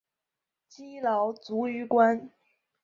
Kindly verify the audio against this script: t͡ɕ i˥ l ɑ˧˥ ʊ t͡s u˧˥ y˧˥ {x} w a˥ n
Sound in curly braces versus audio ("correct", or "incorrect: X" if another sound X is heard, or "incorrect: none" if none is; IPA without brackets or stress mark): incorrect: k